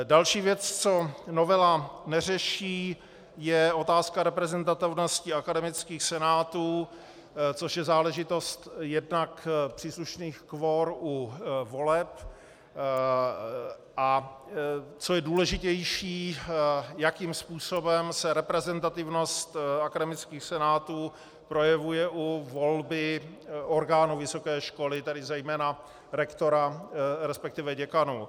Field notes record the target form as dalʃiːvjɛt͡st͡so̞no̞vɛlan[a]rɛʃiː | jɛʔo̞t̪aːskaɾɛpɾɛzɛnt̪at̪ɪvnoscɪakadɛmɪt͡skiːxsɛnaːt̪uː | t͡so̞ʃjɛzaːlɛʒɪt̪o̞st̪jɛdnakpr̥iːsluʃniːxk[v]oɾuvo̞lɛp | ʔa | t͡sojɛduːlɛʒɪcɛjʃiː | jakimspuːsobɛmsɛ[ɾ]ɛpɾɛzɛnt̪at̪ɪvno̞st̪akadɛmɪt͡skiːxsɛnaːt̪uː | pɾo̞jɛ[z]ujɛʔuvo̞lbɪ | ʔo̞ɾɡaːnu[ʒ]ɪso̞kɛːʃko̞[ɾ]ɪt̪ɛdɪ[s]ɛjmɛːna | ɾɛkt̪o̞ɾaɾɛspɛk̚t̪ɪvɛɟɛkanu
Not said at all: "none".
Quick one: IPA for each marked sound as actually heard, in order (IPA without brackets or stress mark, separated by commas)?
ɛ, v, ɾ, v, v, l, z